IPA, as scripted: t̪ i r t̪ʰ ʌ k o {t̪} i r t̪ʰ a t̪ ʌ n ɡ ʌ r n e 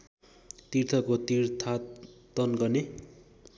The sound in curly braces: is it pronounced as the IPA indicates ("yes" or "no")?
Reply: yes